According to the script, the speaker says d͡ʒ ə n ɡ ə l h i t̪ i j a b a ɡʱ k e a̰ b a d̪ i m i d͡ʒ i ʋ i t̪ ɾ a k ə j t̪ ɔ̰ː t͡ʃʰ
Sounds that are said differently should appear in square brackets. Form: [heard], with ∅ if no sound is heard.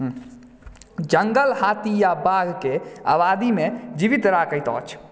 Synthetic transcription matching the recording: d͡ʒ ə [ŋ] ɡ ə l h [a] t̪ i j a b a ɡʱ k e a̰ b a d̪ i m [e] d͡ʒ i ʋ i t̪ ɾ a k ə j t̪ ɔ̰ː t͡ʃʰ